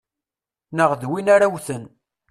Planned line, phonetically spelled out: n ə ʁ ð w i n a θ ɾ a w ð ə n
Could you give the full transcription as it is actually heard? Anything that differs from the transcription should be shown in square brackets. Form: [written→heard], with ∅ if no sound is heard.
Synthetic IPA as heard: n ə ʁ ð w i n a [θ→∅] ɾ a w [ð→θ] ə n